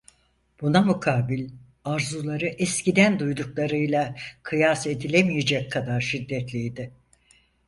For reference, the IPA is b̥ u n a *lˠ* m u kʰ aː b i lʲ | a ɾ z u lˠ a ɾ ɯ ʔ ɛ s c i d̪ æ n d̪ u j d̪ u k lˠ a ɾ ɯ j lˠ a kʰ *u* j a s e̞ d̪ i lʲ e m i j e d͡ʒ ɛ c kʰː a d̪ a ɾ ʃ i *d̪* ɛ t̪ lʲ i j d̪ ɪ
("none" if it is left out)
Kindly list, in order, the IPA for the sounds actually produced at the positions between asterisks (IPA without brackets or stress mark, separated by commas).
none, ɯ, d̪ː